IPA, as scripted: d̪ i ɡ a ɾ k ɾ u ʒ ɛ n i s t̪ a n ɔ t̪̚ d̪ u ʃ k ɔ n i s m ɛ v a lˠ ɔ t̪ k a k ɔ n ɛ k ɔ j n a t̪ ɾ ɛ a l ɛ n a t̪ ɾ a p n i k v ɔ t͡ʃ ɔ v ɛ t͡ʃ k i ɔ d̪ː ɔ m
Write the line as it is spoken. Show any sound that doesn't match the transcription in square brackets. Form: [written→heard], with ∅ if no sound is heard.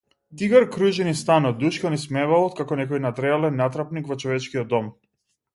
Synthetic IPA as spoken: d̪ i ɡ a ɾ k ɾ u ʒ ɛ n i s t̪ a n ɔ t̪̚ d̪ u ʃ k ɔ n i s m ɛ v a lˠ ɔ t̪ k a k ɔ n ɛ k ɔ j n a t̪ ɾ ɛ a l ɛ [n→nː] a t̪ ɾ a p n i k v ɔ t͡ʃ ɔ v ɛ t͡ʃ k i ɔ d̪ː ɔ m

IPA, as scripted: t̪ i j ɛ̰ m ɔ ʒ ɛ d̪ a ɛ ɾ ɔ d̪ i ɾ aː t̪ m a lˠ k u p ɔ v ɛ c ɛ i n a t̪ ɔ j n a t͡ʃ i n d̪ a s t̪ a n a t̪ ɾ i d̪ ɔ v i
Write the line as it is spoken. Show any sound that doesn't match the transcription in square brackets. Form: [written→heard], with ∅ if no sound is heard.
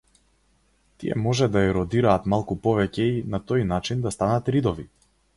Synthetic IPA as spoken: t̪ i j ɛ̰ m ɔ ʒ ɛ d̪ a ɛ ɾ ɔ d̪ i ɾ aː t̪ m a lˠ k u p ɔ v ɛ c ɛ i n a t̪ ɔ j n a t͡ʃ i n d̪ a s t̪ a n a t̪ ɾ i d̪ ɔ v i

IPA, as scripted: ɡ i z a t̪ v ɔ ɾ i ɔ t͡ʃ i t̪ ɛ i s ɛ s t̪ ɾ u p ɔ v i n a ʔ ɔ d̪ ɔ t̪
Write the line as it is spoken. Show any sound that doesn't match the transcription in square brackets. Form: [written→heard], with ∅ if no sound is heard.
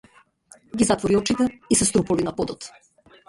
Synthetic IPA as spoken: ɡ i z a t̪ v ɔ ɾ i ɔ t͡ʃ i t̪ ɛ i s ɛ s t̪ ɾ u p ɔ v i n a [ʔ→p] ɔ d̪ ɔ t̪

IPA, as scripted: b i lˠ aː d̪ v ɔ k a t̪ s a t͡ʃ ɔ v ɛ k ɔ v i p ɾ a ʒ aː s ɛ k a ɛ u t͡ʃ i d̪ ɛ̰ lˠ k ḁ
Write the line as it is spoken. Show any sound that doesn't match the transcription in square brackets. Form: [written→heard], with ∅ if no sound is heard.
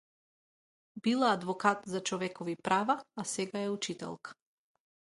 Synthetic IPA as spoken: b i lˠ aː d̪ v ɔ k a t̪ [s→z] a t͡ʃ ɔ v ɛ k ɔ v i p ɾ a [ʒ→v] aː s ɛ [k→ɡ] a ɛ u t͡ʃ i [d̪→t̪] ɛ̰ lˠ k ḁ

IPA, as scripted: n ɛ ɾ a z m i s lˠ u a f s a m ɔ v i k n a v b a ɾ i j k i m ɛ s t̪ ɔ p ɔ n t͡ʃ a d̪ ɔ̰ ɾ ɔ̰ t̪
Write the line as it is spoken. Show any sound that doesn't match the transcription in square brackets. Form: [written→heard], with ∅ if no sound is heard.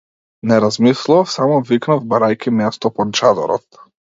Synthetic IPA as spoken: n ɛ ɾ a z m i s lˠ u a f s a m ɔ v i k n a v b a ɾ [i→a] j k i m ɛ s t̪ ɔ p ɔ n t͡ʃ a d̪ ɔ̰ ɾ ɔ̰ t̪

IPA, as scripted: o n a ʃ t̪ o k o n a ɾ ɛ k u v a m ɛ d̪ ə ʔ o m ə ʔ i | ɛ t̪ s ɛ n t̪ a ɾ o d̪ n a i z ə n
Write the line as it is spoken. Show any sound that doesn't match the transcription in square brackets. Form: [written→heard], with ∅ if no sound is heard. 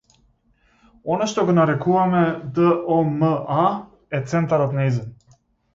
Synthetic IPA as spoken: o n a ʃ t̪ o [k→ɡ] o n a ɾ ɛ k u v a m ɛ d̪ ə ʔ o m ə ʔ [i→a] | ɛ t̪ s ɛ n t̪ a ɾ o [d̪→t̪] n a i z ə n

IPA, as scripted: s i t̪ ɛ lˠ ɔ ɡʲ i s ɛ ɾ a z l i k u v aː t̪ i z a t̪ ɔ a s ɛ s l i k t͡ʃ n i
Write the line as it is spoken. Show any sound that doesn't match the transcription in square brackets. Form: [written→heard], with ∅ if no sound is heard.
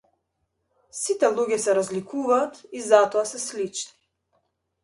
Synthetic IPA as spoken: s i t̪ ɛ lˠ [ɔ→u] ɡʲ [i→ɛ] s ɛ ɾ a z l i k u v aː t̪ i z a t̪ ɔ a s ɛ s l i [k→∅] t͡ʃ n i

